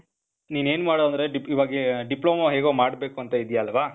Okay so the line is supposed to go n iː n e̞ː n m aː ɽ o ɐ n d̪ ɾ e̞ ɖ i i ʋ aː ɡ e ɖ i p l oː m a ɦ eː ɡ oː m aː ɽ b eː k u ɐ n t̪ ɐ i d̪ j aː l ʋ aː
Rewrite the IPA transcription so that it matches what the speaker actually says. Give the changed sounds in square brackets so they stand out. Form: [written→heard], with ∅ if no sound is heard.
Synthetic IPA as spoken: n iː n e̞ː n m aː ɽ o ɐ n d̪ ɾ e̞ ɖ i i ʋ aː ɡ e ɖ i p l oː m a ɦ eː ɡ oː m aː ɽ b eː k u ɐ n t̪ ɐ i d̪ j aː l ʋ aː